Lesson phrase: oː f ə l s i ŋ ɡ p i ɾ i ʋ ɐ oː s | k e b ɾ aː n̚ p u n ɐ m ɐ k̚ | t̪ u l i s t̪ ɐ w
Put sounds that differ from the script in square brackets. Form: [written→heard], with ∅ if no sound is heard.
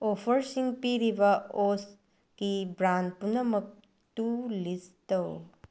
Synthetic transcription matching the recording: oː f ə [l→ɾ] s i ŋ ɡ p i ɾ i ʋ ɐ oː s | k [e→i] b ɾ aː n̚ p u n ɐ m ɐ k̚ | t̪ u l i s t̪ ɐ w